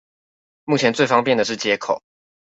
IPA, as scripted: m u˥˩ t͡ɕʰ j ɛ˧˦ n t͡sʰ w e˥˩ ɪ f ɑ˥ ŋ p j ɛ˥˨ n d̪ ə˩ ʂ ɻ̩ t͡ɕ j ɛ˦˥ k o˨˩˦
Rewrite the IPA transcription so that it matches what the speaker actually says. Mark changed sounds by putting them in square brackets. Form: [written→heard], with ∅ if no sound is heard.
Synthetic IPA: m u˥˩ t͡ɕʰ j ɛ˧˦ n [t͡sʰ→t͡s] w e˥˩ ɪ f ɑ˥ ŋ p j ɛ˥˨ n d̪ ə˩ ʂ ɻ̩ t͡ɕ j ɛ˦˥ [k→kʰ] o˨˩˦